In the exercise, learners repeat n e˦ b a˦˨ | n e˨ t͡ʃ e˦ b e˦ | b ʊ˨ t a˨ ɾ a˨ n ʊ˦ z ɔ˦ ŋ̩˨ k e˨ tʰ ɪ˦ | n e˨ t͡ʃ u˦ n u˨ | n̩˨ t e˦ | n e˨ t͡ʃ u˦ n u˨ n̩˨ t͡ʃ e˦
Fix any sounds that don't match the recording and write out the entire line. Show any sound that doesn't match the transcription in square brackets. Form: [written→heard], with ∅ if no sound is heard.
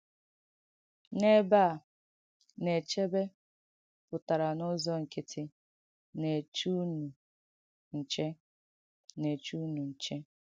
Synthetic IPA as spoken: n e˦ b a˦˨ | n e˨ t͡ʃ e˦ b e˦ | [b→p] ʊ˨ t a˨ ɾ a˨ n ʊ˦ z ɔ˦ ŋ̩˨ k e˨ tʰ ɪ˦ | n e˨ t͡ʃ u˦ n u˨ | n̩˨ [t→t͡ʃ] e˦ | n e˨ t͡ʃ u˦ n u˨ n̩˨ t͡ʃ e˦

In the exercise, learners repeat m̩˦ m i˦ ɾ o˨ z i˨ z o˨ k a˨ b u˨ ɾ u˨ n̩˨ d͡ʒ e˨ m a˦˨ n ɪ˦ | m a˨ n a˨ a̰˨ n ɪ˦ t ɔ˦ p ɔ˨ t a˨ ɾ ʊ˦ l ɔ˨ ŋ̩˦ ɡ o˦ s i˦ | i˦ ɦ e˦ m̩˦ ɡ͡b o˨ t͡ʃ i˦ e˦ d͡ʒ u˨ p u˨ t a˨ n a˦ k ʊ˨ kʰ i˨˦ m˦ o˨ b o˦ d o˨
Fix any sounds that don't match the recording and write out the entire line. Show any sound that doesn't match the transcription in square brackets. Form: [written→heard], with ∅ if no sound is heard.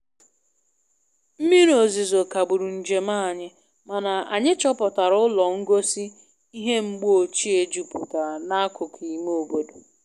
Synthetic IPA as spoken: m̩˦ m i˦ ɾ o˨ z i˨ z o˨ k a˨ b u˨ ɾ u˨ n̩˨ d͡ʒ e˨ m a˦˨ [n→ɲ] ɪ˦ | m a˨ n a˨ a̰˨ [n→ɲ] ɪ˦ [t→t͡ʃ] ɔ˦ p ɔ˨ t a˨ ɾ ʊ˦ l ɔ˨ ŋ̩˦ ɡ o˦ s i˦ | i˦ ɦ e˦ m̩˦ ɡ͡b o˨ t͡ʃ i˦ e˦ d͡ʒ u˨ p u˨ t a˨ n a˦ k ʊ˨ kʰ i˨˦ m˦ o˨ b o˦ d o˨

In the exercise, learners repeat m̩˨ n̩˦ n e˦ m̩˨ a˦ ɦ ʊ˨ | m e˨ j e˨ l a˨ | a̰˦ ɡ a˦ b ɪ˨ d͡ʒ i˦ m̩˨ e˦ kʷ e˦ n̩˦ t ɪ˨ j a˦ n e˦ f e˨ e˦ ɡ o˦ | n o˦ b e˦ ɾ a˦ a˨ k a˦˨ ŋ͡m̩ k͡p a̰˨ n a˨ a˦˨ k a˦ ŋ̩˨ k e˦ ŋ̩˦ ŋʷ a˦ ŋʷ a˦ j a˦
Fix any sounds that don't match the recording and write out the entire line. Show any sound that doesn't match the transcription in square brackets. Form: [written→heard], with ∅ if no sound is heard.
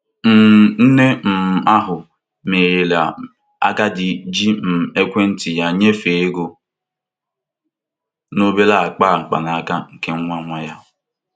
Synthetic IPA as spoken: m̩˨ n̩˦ n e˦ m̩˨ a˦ ɦ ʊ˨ | m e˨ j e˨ l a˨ | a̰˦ ɡ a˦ [b→d] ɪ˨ d͡ʒ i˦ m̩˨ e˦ kʷ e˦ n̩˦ t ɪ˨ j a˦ [n→ɲ] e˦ f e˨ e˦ ɡ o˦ | n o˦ b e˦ [ɾ→l] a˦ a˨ [k→k͡p] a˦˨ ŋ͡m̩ k͡p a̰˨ n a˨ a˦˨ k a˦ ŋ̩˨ k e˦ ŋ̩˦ ŋʷ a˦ ŋʷ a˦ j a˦

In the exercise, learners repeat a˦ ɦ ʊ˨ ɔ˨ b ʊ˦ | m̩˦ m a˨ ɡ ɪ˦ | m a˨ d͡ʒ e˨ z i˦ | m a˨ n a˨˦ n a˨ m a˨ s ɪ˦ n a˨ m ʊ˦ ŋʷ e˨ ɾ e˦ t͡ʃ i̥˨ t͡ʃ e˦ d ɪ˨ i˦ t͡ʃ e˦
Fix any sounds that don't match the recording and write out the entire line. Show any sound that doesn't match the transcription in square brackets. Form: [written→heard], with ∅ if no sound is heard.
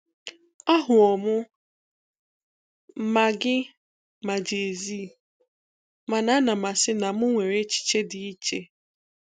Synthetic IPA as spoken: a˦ ɦ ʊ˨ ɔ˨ [b→m] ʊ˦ | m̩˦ m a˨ ɡ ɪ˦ | m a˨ d͡ʒ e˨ z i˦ | m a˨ n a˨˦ n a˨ m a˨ s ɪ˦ n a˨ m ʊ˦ ŋʷ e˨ ɾ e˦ t͡ʃ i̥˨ t͡ʃ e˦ d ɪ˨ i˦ t͡ʃ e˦

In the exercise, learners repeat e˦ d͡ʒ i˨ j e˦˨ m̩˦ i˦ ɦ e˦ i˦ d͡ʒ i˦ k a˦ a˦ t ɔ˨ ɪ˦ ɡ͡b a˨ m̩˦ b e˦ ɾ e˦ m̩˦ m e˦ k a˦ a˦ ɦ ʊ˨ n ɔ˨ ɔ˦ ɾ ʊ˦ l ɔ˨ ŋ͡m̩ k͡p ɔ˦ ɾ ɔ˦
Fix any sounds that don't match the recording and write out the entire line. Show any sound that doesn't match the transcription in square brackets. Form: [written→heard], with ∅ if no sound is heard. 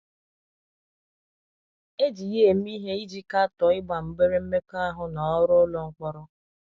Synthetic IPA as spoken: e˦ d͡ʒ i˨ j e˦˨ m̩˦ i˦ ɦ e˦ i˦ d͡ʒ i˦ k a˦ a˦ t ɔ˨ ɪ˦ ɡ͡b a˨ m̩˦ b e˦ ɾ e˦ m̩˦ m e˦ k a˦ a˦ ɦ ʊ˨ n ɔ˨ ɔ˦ ɾ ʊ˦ l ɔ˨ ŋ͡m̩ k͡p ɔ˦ ɾ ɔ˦

